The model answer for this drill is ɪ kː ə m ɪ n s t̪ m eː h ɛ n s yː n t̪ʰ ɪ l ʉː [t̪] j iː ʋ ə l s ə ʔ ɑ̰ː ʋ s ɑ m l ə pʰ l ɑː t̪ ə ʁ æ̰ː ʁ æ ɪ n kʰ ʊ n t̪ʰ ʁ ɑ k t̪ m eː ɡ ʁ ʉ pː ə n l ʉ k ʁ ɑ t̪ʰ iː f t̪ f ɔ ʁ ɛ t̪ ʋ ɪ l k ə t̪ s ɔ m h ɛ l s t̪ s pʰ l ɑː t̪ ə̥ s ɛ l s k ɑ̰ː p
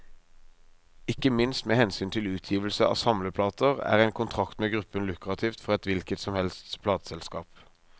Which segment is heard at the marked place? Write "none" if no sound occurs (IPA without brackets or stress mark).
t̪ʰ